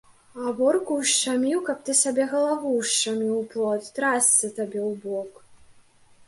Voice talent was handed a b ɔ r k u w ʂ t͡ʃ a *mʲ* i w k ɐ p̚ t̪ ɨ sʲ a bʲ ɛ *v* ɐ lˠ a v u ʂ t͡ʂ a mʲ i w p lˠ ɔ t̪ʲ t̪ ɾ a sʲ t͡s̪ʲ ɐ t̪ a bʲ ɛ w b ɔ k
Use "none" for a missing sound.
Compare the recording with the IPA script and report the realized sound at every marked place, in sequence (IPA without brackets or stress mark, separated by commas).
mʲ, ɣ